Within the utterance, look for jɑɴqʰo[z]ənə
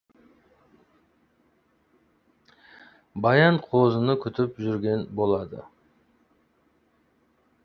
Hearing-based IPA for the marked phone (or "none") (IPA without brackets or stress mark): z